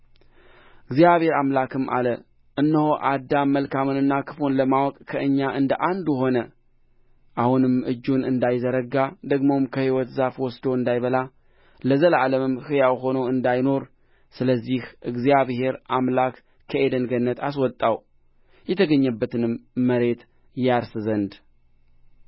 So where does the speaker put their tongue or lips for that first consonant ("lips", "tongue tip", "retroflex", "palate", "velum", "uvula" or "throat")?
velum